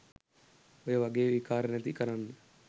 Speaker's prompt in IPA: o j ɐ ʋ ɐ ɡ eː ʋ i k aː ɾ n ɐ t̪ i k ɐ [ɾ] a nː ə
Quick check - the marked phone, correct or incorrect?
correct